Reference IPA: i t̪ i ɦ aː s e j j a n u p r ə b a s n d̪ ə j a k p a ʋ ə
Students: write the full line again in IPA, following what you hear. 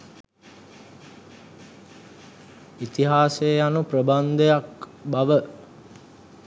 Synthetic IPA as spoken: i t̪ i ɦ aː s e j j a n u p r ə b a n d̪ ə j a k b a ʋ ə